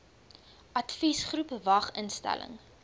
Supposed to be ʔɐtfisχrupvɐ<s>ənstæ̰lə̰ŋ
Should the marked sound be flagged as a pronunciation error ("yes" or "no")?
yes